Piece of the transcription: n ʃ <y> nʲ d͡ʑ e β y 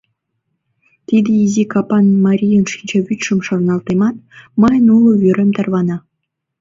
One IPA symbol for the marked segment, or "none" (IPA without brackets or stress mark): i